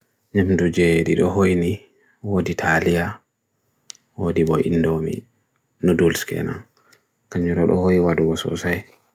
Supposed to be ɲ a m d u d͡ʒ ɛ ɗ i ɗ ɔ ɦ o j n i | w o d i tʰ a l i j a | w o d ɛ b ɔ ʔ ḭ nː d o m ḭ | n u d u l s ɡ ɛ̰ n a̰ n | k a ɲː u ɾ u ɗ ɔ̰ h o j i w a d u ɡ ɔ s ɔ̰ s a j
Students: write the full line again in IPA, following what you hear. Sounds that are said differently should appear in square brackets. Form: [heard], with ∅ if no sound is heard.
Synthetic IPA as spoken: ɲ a m d u d͡ʒ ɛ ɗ i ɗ ɔ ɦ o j n i | w o d i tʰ a l i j a | w o d [i] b ɔ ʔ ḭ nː d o m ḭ | n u d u l s [k] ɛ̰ n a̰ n | k a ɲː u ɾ [ɔ] ɗ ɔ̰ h o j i w a d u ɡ ɔ s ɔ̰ s a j